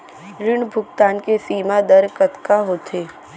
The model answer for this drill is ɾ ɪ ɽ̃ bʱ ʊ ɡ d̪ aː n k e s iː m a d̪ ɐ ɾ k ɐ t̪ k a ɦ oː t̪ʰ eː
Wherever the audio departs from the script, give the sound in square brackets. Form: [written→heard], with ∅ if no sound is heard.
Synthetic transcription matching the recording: ɾ ɪ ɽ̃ bʱ ʊ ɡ [d̪→t̪] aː n k e s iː m a d̪ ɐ ɾ k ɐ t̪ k a ɦ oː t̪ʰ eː